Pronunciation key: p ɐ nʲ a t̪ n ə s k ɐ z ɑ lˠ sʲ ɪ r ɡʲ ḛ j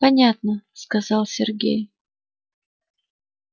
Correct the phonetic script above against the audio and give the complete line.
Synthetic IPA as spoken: p ɐ nʲ a t̪ n ə s k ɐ z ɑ lˠ sʲ ɪ r ɡʲ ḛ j